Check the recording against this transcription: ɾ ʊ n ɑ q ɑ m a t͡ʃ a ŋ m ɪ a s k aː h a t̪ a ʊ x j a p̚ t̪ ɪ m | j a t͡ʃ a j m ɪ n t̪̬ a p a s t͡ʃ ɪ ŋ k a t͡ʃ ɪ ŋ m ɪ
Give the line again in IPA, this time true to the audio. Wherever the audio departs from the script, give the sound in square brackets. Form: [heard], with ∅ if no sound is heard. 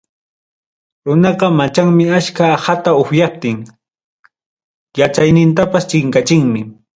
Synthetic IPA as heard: ɾ ʊ n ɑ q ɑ m a t͡ʃ a ŋ m ɪ a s k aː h a t̪ a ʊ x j a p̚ t̪ ɪ [ŋ] | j a t͡ʃ a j [n] ɪ n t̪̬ a p a s t͡ʃ ɪ ŋ k a t͡ʃ ɪ ŋ m ɪ